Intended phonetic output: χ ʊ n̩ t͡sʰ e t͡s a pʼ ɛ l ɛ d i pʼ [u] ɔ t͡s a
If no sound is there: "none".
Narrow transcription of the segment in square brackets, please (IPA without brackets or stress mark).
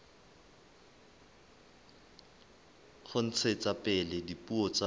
u